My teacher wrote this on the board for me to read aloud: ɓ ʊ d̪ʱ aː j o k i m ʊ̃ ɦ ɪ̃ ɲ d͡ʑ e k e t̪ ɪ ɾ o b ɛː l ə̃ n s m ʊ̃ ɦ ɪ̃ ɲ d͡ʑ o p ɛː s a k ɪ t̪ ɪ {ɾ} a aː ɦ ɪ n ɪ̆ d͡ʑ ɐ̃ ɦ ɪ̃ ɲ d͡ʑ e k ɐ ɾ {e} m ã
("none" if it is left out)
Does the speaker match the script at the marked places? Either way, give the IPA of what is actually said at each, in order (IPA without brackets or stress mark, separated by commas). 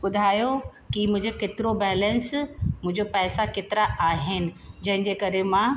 ɾ, e